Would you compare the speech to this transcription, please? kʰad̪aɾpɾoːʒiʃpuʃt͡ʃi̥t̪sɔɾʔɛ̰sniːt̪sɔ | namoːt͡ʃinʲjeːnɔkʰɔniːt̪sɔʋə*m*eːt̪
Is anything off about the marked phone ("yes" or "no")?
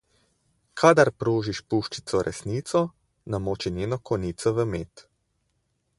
no